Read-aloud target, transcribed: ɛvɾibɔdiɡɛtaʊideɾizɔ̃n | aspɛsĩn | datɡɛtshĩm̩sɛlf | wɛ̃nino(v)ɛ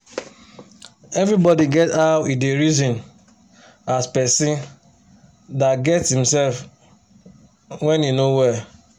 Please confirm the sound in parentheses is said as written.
no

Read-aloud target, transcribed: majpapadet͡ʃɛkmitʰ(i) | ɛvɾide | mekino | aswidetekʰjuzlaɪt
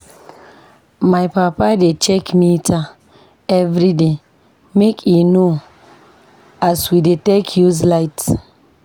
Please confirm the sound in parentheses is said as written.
no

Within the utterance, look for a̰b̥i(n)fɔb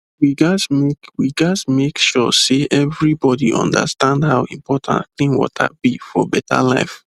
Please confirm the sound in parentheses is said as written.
no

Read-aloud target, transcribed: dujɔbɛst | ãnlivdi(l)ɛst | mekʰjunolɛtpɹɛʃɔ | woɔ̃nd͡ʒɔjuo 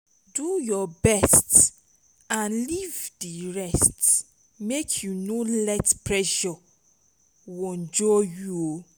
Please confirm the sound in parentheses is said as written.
no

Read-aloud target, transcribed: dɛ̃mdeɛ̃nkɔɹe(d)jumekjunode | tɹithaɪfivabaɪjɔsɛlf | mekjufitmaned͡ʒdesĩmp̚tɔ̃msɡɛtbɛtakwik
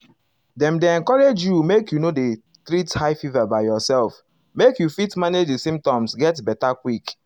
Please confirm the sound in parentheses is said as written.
no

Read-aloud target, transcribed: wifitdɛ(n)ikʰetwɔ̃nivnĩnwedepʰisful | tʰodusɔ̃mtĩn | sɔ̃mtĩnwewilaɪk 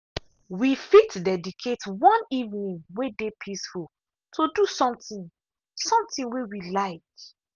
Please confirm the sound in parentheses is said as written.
no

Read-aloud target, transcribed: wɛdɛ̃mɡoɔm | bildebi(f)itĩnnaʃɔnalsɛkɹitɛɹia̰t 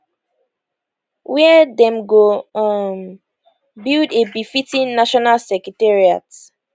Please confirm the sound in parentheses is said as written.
yes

